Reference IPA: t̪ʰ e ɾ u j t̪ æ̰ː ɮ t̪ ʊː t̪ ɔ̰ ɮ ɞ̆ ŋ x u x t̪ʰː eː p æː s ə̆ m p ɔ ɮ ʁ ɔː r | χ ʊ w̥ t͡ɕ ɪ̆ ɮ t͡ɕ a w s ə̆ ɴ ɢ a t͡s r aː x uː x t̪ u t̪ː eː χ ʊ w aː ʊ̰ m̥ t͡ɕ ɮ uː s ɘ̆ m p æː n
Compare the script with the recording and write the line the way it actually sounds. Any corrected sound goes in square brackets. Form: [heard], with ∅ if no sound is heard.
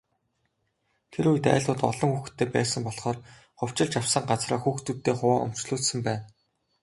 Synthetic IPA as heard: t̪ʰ e ɾ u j t̪ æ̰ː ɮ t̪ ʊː t̪ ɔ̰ ɮ ɞ̆ ŋ x u x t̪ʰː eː p æː s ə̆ m p ɔ ɮ [χ] ɔː r | χ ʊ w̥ t͡ɕ ɪ̆ ɮ t͡ɕ a w s ə̆ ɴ ɢ a t͡s r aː x uː x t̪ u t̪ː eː χ ʊ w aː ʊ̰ m̥ t͡ɕ ɮ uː s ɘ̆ m p æː n

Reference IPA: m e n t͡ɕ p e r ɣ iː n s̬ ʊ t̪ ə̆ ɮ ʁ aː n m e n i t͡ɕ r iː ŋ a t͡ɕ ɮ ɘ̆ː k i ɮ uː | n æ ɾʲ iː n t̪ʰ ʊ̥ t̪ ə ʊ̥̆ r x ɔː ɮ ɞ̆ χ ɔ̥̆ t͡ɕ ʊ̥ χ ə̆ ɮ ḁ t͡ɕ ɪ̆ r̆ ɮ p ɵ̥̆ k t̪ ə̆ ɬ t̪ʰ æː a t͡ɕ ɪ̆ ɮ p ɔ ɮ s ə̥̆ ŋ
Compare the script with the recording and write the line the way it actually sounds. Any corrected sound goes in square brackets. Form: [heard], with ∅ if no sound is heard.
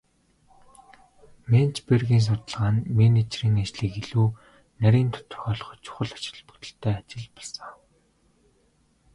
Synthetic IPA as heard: m e n t͡ɕ p e r ɣ iː n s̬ ʊ t̪ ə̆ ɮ ʁ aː n m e n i t͡ɕ r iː ŋ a t͡ɕ ɮ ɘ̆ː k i ɮ uː | n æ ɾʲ iː n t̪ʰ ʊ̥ t̪ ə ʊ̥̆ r x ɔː ɮ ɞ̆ χ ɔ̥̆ t͡ɕ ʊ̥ χ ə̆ ɮ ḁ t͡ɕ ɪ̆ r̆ ɮ p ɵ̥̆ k t̪ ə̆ ɬ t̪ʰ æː a t͡ɕ ɪ̆ ɮ p ɔ ɮ s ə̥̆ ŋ

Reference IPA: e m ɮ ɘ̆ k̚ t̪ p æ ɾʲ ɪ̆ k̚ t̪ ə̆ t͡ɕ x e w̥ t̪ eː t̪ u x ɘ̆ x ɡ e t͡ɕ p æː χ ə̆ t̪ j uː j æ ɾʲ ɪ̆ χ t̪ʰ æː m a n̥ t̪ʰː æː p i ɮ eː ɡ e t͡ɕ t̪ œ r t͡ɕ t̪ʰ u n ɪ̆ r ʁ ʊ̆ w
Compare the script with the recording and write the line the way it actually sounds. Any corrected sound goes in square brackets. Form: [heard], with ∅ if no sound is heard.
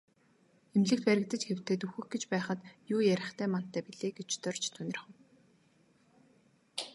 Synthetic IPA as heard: e m ɮ ɘ̆ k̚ t̪ p æ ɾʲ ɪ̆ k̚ t̪ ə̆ t͡ɕ x e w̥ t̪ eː t̪ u x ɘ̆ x ɡ e t͡ɕ p æː χ ə̆ t̪ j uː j æ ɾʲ ɪ̆ χ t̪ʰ æː m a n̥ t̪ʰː æː p i ɮ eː ɡ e t͡ɕ t̪ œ r t͡ɕ t̪ʰ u n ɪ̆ r [χ] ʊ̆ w

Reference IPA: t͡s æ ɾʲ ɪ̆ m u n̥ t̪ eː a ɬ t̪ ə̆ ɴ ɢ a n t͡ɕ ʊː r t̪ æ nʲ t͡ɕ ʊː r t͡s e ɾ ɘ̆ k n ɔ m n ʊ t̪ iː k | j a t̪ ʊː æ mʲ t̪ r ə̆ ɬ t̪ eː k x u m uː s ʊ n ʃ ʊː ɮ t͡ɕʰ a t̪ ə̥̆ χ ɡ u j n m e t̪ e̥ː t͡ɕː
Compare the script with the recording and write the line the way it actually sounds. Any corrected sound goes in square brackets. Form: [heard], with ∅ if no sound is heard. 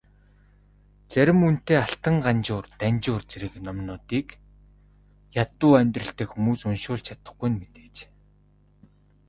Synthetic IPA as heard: t͡s æ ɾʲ ɪ̆ m u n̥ t̪ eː a ɬ t̪ ə̆ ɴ ɢ a n t͡ɕ ʊː r t̪ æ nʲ t͡ɕ ʊː r t͡s e ɾ ɘ̆ k n ɔ m n [ʊː] t̪ iː k | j a t̪ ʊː æ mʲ t̪ r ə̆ ɬ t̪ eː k x u m uː s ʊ n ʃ ʊː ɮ t͡ɕʰ a t̪ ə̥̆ χ ɡ u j n m e t̪ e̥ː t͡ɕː

